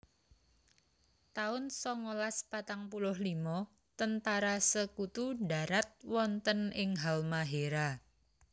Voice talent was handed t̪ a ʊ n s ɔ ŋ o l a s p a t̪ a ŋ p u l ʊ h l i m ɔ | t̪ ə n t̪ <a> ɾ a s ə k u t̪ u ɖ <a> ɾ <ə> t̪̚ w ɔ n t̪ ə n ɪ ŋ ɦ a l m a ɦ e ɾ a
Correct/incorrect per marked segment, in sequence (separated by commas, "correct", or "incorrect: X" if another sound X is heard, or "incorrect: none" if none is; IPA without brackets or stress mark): correct, correct, incorrect: a